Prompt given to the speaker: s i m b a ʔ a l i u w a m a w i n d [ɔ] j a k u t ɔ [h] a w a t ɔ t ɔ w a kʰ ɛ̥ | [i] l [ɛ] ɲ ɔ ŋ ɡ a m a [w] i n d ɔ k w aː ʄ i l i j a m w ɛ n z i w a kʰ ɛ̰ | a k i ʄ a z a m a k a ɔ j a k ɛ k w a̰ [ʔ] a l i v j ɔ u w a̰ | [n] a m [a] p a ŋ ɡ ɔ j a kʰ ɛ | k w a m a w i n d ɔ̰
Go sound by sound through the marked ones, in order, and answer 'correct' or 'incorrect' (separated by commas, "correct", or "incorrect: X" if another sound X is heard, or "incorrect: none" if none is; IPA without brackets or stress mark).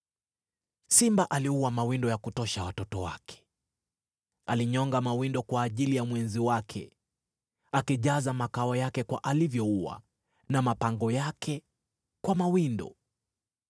correct, incorrect: ʃ, incorrect: a, incorrect: i, correct, correct, correct, correct